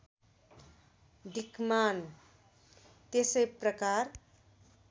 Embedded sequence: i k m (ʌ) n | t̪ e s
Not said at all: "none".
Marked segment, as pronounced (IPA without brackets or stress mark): a